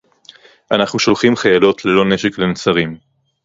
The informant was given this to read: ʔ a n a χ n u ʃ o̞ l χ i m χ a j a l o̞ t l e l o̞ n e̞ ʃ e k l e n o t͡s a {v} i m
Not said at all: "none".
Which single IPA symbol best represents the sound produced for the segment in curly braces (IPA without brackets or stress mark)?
ʁ